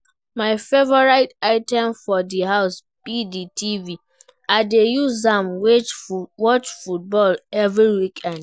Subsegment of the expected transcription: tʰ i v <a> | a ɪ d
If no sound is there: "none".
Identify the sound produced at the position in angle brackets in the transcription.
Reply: i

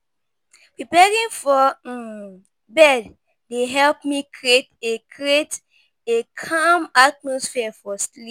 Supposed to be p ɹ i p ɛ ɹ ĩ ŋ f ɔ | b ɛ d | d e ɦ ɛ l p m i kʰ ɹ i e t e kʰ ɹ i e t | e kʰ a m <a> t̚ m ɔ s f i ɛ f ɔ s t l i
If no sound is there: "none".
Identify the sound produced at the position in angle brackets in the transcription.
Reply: a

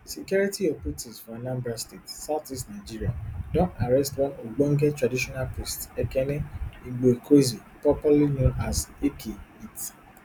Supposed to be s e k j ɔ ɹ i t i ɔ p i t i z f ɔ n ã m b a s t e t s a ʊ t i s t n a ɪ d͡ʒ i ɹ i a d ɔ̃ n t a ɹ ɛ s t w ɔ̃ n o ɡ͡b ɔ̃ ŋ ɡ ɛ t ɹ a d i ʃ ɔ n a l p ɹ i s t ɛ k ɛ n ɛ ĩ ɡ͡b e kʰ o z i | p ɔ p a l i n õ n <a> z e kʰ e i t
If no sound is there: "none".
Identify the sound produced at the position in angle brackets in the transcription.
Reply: a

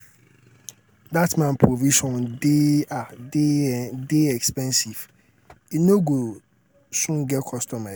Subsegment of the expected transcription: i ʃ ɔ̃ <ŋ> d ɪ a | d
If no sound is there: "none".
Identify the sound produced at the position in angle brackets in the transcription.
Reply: n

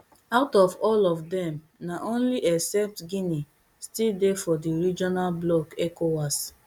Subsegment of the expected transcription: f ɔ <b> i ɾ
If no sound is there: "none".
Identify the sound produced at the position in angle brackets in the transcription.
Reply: d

